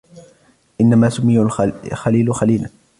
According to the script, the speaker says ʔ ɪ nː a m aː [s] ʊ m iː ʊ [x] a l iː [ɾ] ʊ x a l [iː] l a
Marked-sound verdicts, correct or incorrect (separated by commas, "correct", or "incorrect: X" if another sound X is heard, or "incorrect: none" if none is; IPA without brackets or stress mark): correct, correct, incorrect: l, correct